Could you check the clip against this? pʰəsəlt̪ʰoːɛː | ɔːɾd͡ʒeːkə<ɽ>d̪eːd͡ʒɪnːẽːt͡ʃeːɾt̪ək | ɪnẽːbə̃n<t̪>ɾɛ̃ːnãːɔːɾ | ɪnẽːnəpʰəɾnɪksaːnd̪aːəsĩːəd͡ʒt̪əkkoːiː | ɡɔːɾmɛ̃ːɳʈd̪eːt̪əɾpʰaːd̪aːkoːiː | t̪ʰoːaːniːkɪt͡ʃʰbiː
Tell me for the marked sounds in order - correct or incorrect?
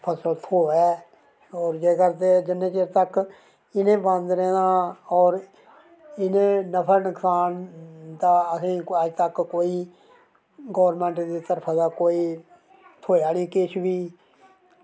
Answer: incorrect, incorrect

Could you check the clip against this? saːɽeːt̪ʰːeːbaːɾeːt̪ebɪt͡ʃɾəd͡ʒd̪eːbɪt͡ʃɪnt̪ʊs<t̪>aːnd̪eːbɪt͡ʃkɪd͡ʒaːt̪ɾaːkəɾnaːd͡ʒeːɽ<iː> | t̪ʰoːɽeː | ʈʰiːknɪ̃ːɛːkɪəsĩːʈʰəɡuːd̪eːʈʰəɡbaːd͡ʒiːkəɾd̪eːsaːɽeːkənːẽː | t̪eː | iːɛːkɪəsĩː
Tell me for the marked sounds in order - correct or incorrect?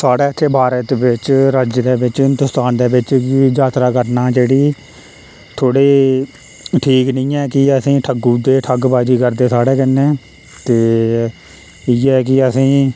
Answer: correct, correct

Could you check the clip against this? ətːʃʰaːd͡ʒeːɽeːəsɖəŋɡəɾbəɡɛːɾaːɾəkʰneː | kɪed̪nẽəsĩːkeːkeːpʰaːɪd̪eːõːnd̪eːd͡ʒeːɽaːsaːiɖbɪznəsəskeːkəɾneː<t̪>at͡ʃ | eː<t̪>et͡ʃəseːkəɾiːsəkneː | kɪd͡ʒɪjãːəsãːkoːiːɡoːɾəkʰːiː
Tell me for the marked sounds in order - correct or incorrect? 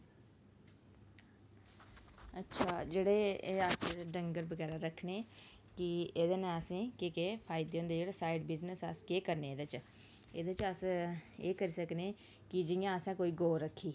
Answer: incorrect, incorrect

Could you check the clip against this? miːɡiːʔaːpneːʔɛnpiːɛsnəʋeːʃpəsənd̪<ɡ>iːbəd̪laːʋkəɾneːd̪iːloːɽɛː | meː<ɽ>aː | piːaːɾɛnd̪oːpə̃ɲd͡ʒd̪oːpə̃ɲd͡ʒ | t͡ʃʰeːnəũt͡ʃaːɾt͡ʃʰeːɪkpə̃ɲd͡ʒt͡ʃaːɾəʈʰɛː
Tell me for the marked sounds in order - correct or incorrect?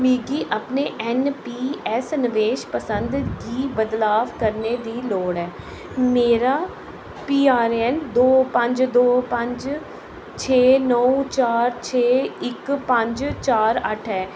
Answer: correct, incorrect

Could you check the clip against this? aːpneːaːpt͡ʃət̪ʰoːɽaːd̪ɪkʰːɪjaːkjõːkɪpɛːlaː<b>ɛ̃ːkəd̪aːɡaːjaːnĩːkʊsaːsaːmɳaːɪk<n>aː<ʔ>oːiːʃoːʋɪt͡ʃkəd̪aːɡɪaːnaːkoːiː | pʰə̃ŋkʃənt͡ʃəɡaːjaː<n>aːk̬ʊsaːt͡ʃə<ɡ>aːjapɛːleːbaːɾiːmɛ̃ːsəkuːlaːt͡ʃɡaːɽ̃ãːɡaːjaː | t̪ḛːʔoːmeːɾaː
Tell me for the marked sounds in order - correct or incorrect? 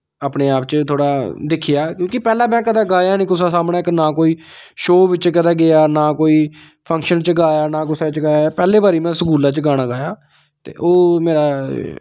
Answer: incorrect, correct, incorrect, correct, correct

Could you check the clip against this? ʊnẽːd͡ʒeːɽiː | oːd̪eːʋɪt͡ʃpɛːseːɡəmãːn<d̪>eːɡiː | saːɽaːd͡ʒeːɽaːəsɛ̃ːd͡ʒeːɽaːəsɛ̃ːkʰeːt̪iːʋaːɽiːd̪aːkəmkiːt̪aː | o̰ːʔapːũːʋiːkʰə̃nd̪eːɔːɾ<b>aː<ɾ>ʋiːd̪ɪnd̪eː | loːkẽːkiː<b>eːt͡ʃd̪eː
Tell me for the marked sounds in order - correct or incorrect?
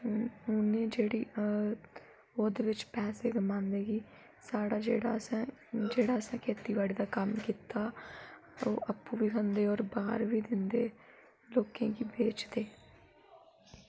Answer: correct, correct, correct, correct

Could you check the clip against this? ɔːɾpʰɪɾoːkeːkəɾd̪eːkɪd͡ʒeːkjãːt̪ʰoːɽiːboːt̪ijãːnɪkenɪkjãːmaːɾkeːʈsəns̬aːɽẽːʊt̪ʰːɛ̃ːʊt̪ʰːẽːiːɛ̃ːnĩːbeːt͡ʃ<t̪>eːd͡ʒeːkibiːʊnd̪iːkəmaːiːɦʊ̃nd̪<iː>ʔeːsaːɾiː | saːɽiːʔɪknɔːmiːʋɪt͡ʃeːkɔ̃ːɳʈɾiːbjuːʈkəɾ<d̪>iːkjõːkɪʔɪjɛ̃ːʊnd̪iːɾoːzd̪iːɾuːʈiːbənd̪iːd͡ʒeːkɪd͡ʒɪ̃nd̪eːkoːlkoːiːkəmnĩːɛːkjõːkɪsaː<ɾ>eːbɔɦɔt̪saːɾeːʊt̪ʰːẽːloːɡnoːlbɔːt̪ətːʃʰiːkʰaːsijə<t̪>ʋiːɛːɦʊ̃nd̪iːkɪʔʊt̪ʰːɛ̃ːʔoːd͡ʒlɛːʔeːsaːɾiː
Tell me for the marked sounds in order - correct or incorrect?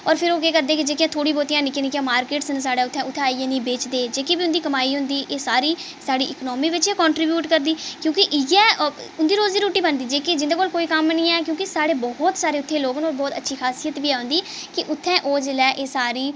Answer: incorrect, correct, correct, incorrect, correct

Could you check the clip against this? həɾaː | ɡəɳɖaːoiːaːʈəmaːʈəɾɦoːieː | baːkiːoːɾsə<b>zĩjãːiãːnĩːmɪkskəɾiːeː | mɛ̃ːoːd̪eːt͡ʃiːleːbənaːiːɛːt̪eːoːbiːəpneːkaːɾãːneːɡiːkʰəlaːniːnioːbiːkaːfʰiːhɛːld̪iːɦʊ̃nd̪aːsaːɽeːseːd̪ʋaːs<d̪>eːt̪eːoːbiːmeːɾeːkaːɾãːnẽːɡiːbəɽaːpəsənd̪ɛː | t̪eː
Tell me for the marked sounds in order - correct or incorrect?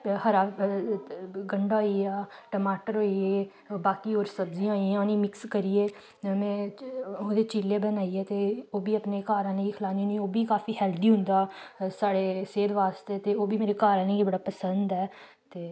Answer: correct, incorrect

